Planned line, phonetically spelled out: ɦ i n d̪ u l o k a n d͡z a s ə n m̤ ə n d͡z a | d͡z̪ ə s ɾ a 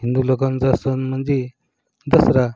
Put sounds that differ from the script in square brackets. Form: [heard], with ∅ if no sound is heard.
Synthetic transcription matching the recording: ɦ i n d̪ u l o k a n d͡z a s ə n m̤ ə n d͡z [e] | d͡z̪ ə s ɾ a